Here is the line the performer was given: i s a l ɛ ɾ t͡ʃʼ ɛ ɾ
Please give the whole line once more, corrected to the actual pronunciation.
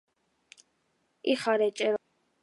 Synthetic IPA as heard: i χ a ɾ ɛ t͡ʃʼ ɛ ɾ